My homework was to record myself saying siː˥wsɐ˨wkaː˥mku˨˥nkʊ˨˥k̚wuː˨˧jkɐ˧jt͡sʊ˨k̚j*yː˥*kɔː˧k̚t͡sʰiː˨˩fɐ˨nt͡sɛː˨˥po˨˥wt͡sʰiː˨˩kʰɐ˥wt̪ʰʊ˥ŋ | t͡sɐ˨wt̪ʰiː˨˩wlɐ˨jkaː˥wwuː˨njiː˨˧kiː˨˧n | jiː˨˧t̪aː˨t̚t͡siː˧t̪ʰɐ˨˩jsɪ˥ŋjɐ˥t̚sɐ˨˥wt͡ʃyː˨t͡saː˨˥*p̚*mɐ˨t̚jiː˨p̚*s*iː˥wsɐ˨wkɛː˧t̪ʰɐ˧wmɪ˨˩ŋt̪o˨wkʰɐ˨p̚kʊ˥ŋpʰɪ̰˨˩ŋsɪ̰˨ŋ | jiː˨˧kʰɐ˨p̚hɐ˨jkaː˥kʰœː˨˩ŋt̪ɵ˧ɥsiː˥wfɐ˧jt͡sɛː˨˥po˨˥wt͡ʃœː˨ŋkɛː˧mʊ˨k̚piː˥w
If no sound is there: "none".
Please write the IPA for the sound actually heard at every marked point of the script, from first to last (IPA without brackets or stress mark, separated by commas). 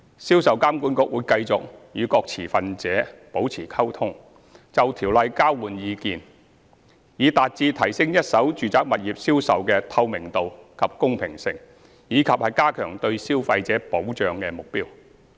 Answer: yː˨˧, k̚, s